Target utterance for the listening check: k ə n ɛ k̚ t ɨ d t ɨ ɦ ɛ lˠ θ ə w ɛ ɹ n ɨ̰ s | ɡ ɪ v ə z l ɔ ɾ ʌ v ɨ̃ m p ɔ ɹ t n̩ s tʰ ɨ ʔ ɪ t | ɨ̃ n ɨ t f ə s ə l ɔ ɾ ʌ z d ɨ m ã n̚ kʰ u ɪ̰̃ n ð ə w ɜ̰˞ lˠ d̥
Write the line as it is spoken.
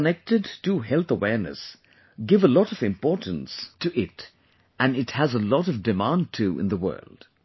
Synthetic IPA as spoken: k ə n ɛ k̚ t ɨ d t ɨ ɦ ɛ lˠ θ ə w ɛ ɹ n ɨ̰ s | ɡ ɪ v ə l ɔ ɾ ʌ v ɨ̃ m p ɔ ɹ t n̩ s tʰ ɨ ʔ ɪ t | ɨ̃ n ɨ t h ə z ə l ɔ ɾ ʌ v d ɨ m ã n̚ tʰ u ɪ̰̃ n ð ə w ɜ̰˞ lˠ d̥

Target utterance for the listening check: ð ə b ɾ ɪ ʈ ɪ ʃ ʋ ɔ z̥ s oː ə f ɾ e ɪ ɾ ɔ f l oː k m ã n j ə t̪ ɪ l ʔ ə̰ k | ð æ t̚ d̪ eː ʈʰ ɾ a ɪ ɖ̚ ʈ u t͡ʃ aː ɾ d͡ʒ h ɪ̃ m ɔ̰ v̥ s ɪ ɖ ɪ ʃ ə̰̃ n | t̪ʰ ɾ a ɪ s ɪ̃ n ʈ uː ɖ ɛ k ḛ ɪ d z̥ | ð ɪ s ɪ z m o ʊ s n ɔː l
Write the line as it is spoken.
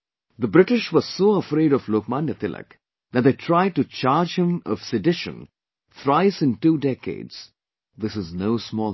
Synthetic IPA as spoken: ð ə b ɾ ɪ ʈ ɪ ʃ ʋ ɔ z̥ s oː ə f ɾ e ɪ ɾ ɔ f l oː k m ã n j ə t̪ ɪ l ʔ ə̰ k | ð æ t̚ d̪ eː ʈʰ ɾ a ɪ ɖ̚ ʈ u t͡ʃ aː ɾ d͡ʒ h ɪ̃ m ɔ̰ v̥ s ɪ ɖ ɪ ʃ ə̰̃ n | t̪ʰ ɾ a ɪ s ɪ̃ n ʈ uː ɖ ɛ k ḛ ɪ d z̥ | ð ɪ s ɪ z n o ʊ s m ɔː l

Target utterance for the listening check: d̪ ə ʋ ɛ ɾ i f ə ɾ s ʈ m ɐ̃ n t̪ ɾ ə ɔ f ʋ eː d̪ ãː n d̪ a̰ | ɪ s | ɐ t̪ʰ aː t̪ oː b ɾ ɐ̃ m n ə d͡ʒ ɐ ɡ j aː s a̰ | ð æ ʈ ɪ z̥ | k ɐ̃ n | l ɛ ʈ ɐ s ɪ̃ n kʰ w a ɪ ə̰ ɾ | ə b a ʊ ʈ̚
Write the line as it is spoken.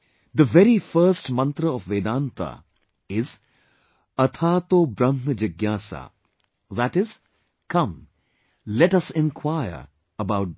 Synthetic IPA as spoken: d̪ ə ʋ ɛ ɾ i f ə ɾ s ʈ m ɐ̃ n t̪ ɾ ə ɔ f ʋ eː d̪ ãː n t̪ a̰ | ɪ z | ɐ t̪ʰ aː t̪ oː b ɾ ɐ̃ m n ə d͡ʒ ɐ ɡ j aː s a̰ | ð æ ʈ ɪ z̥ | k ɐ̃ m | l ɛ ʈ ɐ s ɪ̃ n kʰ w a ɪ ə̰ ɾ | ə b a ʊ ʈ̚

